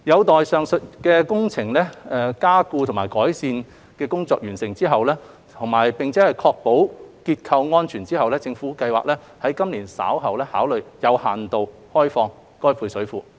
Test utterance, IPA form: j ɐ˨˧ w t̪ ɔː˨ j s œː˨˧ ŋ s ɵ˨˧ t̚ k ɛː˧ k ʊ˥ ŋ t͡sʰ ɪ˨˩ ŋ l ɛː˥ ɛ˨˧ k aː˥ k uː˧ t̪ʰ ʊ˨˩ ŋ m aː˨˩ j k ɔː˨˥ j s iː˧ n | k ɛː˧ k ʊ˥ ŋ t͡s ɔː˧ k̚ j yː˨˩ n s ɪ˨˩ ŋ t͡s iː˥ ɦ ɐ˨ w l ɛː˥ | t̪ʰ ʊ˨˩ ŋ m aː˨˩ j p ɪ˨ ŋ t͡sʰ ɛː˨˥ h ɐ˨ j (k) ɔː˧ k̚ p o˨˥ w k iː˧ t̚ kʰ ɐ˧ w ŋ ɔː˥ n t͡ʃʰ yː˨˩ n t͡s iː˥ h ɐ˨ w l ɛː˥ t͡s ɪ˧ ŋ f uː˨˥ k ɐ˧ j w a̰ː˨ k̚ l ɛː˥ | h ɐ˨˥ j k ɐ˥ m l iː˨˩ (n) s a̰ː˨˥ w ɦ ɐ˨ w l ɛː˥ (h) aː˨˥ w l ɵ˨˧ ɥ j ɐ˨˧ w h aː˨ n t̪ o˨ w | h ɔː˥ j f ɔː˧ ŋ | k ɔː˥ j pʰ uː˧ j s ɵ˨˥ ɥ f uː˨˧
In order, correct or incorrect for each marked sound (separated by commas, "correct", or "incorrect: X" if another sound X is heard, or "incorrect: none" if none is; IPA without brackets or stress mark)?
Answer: incorrect: kʰ, correct, correct